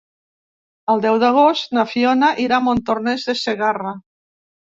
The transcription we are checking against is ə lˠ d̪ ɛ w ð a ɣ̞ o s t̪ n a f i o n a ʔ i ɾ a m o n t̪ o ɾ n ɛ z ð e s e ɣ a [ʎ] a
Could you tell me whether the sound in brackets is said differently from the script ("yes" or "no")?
yes